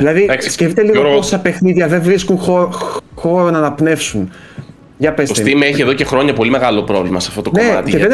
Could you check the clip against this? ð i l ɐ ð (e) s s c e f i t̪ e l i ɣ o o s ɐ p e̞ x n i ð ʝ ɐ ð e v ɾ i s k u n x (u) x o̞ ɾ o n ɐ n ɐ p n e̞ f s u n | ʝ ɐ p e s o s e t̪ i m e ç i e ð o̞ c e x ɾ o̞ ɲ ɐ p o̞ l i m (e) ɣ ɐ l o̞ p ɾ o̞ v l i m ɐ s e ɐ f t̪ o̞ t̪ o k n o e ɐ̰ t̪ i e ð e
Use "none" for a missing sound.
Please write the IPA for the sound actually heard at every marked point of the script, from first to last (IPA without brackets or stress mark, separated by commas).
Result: i, o, e